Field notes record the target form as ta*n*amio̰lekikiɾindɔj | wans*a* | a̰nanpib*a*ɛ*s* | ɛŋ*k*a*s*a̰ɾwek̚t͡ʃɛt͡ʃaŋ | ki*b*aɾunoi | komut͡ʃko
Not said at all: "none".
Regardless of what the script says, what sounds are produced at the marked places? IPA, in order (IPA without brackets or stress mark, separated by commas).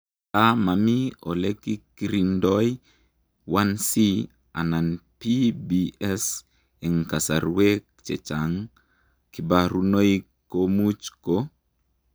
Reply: m, i, i, s, k, s, b